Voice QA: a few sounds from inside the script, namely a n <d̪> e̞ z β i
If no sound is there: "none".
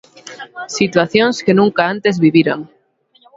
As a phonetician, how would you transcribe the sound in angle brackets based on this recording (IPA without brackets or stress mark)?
t̪